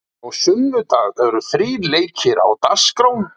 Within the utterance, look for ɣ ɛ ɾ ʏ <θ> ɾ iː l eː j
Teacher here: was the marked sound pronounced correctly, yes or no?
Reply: yes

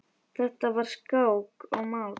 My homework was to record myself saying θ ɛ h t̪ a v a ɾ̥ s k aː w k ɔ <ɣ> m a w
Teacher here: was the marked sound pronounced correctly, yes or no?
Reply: yes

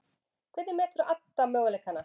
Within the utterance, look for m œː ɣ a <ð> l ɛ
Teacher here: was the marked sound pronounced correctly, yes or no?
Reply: no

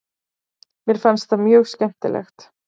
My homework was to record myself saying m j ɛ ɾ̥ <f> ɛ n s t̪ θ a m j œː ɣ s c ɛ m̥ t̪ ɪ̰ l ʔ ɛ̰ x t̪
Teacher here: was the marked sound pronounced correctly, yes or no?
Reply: yes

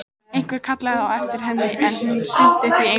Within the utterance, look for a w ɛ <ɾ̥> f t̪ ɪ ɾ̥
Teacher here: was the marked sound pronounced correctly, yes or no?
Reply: no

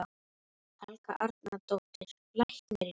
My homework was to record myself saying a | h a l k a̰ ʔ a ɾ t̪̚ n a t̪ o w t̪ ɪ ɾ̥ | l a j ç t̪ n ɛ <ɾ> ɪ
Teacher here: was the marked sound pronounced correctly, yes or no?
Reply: yes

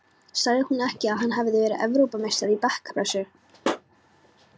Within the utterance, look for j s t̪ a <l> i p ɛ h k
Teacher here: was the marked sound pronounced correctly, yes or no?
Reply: no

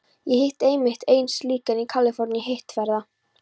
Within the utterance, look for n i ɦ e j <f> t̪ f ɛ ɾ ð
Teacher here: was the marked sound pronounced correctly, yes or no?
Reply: no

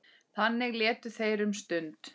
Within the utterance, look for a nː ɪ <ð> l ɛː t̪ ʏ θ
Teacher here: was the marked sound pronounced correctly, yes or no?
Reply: no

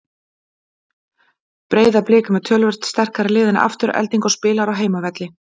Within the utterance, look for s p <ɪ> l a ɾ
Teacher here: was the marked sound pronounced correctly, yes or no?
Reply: no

